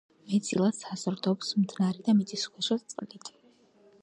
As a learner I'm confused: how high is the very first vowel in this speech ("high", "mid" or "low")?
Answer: mid